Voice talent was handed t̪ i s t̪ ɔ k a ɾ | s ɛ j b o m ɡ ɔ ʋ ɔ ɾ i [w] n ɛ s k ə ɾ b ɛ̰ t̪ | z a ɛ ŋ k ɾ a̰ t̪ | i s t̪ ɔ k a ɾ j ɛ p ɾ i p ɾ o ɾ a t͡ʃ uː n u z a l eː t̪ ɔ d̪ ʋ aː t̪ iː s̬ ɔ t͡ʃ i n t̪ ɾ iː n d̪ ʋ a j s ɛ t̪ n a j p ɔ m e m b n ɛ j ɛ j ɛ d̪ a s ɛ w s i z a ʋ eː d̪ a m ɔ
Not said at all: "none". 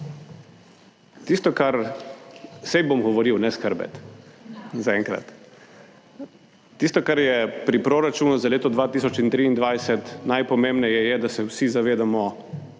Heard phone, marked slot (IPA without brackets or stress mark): w